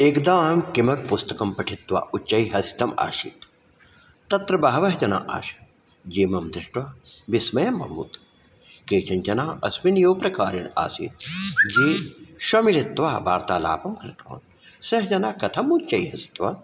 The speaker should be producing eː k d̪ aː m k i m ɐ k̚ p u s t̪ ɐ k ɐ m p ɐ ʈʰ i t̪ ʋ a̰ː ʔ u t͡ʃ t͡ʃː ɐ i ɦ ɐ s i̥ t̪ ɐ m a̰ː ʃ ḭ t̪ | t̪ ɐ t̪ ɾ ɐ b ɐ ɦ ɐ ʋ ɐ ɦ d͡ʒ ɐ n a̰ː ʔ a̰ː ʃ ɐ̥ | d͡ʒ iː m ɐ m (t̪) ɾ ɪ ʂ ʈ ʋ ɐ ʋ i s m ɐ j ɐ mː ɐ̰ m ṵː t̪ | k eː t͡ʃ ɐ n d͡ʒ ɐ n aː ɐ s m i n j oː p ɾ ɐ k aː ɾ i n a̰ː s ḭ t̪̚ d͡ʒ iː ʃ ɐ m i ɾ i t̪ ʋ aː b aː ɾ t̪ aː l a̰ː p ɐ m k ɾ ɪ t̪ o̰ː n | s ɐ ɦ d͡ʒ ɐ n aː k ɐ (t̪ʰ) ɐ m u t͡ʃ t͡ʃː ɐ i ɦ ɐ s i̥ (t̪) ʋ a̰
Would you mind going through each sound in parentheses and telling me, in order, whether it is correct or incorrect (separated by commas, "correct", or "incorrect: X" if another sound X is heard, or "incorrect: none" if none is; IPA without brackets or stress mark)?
incorrect: d̪, correct, correct